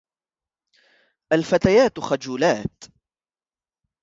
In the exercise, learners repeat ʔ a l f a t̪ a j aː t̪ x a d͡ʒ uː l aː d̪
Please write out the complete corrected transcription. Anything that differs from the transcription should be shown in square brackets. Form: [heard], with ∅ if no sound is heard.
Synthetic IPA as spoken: ʔ a l f a t̪ a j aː t̪ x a d͡ʒ uː l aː [t̪]